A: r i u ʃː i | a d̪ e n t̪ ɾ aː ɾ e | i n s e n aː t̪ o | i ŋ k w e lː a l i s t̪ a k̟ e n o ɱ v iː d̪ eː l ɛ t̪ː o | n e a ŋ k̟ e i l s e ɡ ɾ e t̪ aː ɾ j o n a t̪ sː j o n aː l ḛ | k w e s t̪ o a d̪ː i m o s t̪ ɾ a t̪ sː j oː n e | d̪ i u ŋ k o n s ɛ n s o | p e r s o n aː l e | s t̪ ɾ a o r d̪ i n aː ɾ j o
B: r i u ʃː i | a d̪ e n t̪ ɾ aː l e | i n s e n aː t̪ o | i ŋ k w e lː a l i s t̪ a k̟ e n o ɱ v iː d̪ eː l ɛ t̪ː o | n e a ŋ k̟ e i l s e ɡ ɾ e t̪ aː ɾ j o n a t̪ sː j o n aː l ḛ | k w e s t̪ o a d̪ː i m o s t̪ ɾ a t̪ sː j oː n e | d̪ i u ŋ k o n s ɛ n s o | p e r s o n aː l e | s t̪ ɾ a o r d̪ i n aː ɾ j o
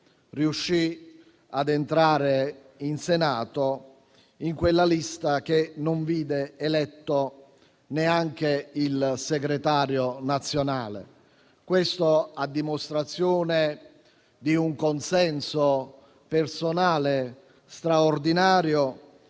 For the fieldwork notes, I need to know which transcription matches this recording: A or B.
A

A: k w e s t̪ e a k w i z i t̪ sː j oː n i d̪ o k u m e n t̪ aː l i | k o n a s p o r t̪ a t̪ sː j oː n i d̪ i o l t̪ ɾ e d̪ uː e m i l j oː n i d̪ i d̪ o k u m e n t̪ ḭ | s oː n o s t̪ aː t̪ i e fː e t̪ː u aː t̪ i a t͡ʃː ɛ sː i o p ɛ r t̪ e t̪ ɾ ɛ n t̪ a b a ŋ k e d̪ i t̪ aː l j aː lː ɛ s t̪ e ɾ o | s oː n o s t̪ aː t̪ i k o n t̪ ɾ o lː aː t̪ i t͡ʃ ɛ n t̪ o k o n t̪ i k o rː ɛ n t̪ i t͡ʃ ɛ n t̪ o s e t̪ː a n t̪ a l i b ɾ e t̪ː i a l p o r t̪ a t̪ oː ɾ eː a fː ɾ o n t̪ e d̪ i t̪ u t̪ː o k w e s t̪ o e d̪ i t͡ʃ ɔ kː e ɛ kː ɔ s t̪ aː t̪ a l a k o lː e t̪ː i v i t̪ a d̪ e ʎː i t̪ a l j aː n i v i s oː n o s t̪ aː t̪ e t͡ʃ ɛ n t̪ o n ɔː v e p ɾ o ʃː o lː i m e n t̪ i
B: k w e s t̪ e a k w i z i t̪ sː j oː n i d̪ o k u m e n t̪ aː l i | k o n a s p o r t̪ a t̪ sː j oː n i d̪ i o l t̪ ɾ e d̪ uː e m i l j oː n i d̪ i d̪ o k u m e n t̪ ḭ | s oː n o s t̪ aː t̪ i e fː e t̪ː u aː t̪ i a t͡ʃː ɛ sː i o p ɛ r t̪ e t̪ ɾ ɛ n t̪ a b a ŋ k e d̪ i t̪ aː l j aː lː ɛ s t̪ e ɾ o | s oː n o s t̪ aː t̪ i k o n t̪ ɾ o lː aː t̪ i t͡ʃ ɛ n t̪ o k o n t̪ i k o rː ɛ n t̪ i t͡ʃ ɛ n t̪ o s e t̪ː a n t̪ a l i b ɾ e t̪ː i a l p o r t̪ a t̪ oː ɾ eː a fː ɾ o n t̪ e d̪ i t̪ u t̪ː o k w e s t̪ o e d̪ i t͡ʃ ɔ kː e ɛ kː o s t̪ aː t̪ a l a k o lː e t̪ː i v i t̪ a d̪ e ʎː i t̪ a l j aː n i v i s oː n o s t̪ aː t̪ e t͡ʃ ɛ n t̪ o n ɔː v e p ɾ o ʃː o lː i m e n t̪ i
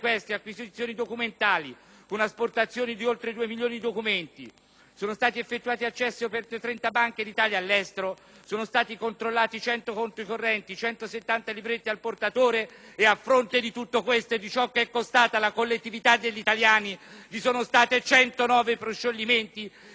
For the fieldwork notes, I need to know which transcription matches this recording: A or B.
B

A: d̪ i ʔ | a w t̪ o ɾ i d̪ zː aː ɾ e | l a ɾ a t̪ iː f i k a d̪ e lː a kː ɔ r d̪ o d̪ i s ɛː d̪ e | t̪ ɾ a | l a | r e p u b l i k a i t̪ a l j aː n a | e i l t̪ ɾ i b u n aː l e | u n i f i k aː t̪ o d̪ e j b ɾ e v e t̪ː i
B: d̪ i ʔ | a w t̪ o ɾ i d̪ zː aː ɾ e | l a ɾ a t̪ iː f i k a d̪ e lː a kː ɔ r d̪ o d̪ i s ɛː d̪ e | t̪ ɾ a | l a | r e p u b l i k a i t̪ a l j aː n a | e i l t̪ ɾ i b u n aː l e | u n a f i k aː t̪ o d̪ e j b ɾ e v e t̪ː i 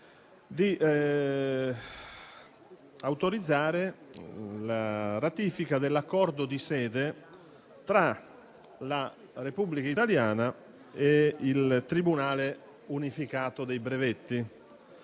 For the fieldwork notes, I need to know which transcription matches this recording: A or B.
A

